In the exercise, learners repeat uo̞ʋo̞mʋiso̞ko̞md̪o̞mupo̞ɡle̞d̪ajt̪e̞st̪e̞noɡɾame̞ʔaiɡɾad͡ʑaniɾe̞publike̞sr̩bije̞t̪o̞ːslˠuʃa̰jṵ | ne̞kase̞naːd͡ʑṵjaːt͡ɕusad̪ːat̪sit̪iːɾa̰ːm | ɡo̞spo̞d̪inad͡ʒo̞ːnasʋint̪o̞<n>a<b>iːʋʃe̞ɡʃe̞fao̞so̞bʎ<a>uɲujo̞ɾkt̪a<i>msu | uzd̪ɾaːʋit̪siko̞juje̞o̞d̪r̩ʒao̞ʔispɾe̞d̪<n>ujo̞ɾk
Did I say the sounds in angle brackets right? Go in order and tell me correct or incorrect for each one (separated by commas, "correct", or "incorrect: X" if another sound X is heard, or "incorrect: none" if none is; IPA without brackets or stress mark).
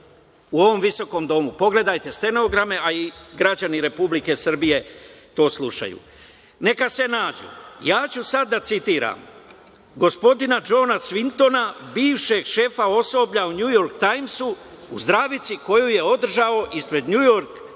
correct, correct, correct, incorrect: j, incorrect: ɲ